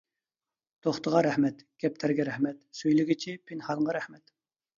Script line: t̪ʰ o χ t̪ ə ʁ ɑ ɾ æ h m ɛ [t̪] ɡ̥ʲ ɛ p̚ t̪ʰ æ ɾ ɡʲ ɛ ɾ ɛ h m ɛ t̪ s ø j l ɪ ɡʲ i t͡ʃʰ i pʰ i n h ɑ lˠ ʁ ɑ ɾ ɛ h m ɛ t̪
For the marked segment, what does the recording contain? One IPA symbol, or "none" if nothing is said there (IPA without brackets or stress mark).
t̪